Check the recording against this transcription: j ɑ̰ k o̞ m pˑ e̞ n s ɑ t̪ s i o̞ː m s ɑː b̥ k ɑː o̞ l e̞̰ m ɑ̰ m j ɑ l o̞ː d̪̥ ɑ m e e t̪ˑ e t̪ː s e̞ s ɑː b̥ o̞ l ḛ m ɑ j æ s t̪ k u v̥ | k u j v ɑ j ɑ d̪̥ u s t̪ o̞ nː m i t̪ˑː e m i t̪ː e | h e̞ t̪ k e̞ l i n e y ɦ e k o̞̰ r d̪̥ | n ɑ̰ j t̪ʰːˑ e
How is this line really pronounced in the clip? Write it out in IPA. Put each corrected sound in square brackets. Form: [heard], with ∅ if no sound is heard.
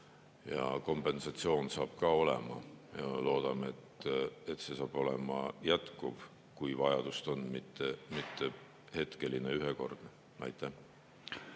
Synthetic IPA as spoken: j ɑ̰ k o̞ m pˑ e̞ n s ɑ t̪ s i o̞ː [n] s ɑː b̥ k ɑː o̞ l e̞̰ m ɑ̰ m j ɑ l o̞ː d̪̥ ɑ m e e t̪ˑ e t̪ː s e̞ s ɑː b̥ o̞ l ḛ m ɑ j æ [∅] t̪ k u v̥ | k u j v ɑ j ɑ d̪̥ u s t̪ o̞ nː m i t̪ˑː e m i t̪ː e | h e̞ t̪ k e̞ l i n e y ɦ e k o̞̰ r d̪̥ | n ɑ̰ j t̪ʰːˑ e